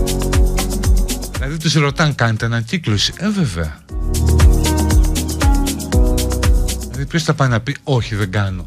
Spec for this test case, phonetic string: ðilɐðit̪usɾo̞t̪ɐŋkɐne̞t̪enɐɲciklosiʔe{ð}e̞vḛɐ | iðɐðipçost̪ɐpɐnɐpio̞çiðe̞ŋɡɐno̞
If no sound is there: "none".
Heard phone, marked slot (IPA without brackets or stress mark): v